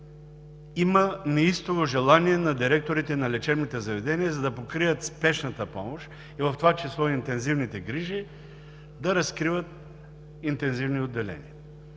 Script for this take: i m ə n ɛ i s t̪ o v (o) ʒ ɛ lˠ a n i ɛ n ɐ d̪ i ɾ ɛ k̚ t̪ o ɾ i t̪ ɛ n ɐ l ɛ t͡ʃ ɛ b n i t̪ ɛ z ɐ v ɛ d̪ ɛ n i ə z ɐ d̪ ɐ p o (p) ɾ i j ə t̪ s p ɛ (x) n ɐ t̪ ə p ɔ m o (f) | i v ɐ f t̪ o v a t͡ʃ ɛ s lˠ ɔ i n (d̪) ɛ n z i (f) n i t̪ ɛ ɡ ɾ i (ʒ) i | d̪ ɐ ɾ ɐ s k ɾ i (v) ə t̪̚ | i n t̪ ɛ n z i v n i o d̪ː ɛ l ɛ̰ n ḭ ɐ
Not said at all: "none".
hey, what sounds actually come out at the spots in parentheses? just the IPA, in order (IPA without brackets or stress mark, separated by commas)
o, k, ʃ, ʃ, t̪, v, ʒ, v